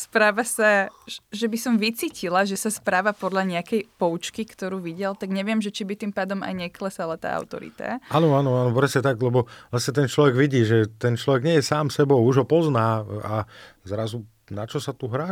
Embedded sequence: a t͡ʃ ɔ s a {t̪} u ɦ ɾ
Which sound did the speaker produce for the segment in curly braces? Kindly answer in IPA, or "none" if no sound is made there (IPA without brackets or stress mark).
t̪